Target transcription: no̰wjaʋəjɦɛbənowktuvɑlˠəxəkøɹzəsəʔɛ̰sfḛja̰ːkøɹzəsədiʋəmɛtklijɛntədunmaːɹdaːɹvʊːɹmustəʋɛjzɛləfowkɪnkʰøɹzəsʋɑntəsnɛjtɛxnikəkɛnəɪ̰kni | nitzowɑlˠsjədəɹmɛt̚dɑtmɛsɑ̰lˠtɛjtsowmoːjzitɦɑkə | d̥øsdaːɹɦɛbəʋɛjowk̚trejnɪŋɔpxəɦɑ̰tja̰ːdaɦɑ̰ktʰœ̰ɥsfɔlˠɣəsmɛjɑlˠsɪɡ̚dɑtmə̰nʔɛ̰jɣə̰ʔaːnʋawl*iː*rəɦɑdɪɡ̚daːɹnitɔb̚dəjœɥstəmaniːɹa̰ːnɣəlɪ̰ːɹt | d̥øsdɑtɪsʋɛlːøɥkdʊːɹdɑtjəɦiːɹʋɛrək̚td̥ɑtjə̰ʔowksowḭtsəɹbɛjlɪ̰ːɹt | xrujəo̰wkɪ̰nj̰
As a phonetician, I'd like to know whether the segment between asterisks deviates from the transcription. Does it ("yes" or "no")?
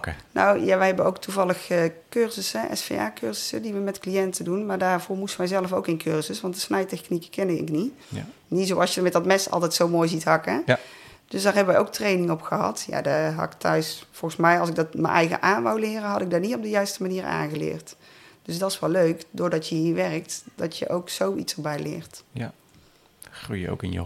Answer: yes